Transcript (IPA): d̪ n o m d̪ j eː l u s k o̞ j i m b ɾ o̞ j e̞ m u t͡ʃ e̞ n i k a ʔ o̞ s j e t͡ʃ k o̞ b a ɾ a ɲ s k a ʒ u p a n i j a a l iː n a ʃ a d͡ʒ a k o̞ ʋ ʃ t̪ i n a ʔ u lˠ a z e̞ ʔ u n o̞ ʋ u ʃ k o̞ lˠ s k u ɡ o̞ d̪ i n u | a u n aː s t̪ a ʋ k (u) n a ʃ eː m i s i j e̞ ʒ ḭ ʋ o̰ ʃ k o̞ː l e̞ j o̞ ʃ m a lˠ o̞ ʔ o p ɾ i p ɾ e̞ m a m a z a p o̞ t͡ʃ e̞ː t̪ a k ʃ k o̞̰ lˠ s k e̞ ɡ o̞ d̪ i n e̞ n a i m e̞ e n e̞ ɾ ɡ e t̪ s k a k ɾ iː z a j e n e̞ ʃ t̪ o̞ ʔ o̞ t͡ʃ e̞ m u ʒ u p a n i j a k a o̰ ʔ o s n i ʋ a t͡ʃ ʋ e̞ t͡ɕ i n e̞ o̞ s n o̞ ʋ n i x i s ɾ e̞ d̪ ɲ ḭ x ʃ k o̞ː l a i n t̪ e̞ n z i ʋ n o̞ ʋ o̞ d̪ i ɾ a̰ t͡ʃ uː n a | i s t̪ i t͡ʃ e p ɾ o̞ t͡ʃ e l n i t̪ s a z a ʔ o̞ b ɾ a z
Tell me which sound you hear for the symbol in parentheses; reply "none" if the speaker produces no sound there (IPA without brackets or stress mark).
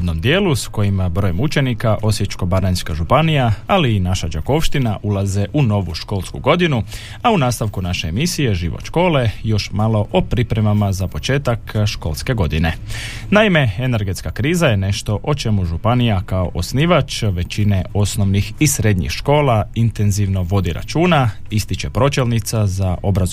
u